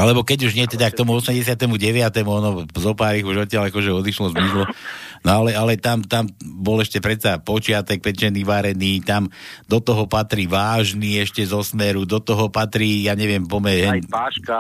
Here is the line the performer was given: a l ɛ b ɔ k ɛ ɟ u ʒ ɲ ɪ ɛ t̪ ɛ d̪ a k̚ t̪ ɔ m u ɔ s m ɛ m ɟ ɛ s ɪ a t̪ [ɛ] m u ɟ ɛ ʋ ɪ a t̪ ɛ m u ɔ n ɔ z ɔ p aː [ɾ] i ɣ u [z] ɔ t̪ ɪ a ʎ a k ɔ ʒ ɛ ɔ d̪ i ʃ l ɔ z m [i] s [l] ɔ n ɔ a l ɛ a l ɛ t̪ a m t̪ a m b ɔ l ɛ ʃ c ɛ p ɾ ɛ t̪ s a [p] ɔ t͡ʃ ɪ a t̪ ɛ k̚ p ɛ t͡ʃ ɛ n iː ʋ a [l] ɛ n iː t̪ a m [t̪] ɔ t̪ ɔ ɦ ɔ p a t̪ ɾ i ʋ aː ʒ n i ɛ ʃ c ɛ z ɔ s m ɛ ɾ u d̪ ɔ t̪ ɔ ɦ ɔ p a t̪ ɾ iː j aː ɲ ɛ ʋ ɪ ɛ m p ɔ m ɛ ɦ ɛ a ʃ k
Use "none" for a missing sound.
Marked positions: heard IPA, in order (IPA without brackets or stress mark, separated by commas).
ɛ, ɾ, ʒ, i, l, p, ɾ, d̪